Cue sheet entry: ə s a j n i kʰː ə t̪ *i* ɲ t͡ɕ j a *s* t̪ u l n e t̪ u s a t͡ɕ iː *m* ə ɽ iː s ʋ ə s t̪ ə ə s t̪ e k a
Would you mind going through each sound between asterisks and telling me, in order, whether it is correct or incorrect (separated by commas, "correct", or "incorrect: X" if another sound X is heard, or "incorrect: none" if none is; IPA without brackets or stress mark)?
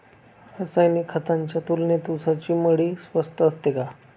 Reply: incorrect: a, incorrect: none, correct